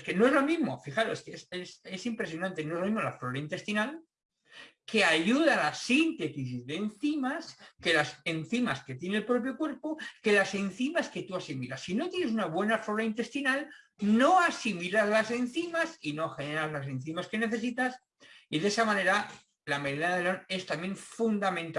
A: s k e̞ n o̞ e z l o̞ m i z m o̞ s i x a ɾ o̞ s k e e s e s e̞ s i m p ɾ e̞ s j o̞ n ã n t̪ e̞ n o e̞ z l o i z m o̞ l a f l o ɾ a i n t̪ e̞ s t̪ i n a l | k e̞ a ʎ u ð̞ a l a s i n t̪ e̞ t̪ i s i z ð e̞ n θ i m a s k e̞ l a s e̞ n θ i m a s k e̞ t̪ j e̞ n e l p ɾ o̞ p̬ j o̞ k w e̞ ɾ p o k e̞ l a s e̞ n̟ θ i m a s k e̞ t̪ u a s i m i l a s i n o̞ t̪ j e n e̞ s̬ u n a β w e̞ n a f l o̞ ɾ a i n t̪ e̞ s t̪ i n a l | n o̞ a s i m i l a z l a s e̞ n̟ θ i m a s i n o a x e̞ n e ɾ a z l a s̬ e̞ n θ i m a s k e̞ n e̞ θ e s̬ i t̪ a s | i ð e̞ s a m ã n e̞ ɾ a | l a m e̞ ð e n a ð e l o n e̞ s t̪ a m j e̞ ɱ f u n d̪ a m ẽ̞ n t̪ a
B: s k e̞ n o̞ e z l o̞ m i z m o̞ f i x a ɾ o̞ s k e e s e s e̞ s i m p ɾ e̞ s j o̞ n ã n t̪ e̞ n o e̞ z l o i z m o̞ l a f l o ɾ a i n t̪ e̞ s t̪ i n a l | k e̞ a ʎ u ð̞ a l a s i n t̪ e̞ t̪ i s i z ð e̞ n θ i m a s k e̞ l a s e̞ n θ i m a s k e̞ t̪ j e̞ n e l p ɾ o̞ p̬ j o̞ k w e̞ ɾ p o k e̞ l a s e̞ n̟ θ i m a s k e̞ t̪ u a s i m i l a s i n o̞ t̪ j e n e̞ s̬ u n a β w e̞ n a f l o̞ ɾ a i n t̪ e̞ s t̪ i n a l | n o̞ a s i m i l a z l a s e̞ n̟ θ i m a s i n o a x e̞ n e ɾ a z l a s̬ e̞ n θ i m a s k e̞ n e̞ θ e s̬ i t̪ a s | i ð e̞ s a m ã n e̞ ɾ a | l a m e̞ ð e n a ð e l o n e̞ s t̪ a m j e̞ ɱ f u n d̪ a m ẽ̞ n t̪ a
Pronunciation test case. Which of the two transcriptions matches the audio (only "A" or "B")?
B